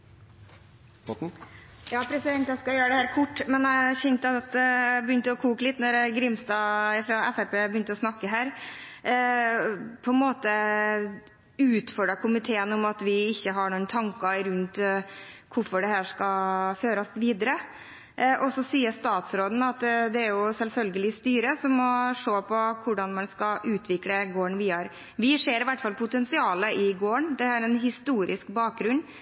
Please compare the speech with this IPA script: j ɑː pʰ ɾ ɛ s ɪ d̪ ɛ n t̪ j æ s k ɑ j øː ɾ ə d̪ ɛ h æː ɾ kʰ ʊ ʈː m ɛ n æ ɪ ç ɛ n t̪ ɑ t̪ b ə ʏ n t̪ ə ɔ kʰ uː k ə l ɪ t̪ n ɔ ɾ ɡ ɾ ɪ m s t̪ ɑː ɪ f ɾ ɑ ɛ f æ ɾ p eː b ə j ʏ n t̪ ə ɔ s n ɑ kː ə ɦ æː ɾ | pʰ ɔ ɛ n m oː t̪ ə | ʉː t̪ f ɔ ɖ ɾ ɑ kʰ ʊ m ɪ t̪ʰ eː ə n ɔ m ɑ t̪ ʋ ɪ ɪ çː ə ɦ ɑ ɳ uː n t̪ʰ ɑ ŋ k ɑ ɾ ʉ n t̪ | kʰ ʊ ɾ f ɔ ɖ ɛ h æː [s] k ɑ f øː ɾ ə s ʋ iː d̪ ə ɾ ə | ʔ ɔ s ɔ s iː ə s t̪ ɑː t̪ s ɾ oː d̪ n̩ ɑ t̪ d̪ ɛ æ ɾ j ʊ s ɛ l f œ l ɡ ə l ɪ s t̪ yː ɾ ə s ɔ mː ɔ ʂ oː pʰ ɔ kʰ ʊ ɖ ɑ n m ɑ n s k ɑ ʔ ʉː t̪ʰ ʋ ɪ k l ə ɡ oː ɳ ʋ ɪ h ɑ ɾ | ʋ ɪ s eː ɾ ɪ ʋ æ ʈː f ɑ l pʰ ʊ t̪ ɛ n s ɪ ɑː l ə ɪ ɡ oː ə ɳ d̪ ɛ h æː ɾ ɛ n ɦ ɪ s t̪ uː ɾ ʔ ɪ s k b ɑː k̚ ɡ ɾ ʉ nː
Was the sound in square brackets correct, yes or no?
no